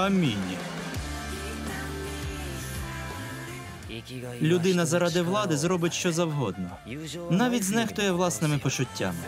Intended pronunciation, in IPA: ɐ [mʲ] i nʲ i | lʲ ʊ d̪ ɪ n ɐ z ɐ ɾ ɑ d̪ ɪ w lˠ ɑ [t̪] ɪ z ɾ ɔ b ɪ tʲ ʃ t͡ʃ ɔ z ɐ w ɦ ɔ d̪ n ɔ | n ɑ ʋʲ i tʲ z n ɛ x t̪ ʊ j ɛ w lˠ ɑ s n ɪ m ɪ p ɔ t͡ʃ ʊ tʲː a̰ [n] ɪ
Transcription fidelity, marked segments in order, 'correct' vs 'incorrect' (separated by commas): correct, incorrect, incorrect